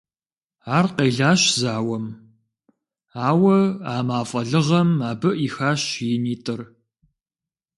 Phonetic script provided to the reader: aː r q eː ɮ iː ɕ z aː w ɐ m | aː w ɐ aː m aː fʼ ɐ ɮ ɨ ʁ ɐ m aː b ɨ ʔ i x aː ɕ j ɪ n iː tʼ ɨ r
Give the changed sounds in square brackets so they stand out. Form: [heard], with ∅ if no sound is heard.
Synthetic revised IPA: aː r q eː ɮ [aː] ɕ z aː w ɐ m | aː w ɐ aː m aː fʼ ɐ ɮ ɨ ʁ ɐ m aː b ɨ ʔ i x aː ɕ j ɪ n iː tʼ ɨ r